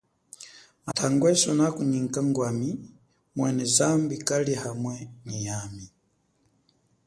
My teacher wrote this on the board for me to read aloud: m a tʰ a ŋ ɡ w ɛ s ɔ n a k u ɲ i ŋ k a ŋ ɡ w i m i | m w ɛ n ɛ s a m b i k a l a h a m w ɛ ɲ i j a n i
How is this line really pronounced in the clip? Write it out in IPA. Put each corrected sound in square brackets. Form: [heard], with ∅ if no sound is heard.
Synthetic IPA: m a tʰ a ŋ ɡ w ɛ s ɔ n a k u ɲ i ŋ k a ŋ ɡ w [a] m i | m w ɛ n ɛ [z] a m b i k a l [i] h a m w ɛ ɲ i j a [m] i